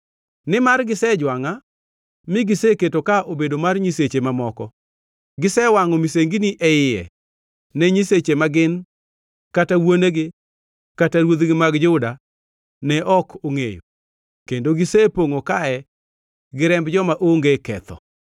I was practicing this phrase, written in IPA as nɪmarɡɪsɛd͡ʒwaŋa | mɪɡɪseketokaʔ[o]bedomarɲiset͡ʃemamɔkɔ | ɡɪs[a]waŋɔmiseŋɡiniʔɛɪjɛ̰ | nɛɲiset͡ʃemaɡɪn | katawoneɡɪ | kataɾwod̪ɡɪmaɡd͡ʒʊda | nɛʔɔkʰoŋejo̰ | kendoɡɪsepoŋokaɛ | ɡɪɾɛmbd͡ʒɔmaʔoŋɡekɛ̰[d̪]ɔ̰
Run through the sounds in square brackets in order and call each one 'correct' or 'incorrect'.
correct, incorrect: ɛ, incorrect: t̪

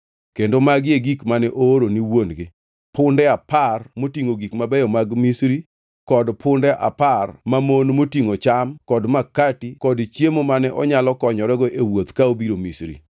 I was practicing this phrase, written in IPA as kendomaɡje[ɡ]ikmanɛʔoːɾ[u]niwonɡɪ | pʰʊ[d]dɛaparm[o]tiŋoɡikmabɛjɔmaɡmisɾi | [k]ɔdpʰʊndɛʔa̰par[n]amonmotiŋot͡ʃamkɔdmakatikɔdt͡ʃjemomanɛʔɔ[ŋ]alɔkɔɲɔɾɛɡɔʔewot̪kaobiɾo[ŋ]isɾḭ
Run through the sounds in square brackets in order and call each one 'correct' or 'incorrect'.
correct, incorrect: o, incorrect: n, correct, correct, incorrect: m, incorrect: ɲ, incorrect: m

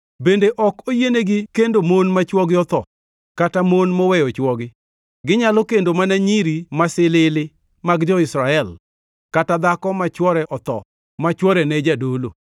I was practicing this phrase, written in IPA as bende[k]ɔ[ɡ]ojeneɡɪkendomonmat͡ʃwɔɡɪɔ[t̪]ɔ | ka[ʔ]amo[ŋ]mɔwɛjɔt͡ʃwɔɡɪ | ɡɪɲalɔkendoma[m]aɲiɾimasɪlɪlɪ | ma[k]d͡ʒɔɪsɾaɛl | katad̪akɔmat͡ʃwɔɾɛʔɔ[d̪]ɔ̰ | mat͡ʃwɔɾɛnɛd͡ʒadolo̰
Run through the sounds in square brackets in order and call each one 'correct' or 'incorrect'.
incorrect: ʔ, incorrect: k, correct, incorrect: t, incorrect: n, incorrect: n, incorrect: ɡ, incorrect: t̪

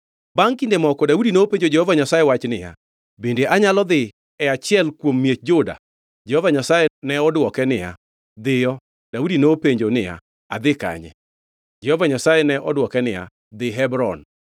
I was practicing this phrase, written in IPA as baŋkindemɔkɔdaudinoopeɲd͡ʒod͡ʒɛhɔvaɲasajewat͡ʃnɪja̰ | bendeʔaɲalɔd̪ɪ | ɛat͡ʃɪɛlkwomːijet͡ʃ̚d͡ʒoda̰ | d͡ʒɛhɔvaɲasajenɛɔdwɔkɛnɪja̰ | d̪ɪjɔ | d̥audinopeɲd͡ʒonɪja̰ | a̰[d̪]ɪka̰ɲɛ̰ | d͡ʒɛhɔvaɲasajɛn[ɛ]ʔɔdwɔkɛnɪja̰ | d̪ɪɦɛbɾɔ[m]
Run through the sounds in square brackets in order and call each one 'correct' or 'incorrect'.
correct, correct, incorrect: n

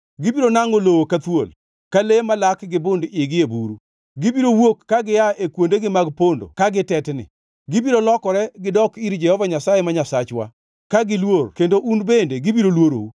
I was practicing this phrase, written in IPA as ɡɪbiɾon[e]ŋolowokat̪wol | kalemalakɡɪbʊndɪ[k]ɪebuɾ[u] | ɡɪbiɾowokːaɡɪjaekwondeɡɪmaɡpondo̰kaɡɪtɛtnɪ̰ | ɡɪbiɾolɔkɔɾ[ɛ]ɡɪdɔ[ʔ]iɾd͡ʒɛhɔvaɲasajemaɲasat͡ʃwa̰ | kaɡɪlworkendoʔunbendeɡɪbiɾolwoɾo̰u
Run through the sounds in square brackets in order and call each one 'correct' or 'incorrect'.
incorrect: a, incorrect: ɡ, correct, correct, incorrect: k

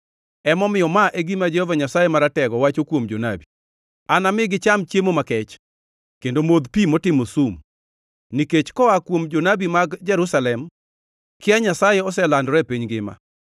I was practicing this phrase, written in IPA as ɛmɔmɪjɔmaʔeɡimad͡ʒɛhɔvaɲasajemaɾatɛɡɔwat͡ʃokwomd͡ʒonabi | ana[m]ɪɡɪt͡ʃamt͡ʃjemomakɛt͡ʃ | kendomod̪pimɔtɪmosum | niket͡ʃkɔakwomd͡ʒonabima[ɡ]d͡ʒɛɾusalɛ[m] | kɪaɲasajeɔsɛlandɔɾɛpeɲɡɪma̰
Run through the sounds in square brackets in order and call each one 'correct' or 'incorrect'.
correct, correct, correct

